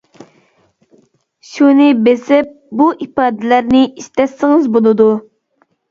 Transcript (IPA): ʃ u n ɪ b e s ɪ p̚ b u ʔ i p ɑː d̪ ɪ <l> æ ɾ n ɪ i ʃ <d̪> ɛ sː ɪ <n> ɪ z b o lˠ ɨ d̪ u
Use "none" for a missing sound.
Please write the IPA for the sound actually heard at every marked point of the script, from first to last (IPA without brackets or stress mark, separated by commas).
l, t̪, ŋ